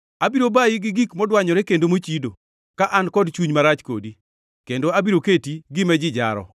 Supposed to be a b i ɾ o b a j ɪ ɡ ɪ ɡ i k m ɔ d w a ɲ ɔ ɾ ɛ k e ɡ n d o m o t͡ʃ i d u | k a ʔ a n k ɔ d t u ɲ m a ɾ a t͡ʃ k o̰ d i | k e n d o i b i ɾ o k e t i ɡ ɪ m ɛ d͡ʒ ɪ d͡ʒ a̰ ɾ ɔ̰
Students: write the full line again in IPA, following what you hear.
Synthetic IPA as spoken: a b i ɾ o b a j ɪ ɡ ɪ ɡ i k m ɔ d w a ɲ ɔ ɾ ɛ k e n d o m o t͡ʃ i d o | k a ʔ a n k ɔ d t͡ʃ u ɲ m a ɾ a t͡ʃ k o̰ d i | k e n d o a b i ɾ o k e t i ɡ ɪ m ɛ d͡ʒ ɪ d͡ʒ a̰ ɾ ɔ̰